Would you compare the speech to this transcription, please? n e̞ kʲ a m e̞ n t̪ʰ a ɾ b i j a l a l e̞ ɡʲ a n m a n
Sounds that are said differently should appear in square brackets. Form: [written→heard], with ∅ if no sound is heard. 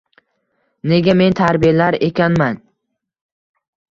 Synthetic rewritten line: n e̞ [kʲ→ɡʲ] a m e̞ n t̪ʰ a ɾ b i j a l a [l→ɾ] e̞ [ɡʲ→kʲ] a n m a n